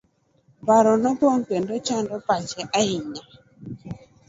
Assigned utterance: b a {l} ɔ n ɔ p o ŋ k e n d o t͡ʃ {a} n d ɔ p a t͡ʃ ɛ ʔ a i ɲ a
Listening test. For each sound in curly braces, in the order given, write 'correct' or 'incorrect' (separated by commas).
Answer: incorrect, correct